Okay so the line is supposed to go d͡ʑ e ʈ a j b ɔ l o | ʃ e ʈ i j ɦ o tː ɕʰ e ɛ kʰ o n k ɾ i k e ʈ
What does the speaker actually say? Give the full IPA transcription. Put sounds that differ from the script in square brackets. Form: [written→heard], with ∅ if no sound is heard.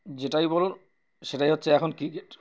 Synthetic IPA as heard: d͡ʑ e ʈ a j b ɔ l o | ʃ e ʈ [i→a] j ɦ o tː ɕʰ e ɛ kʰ o n k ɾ i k e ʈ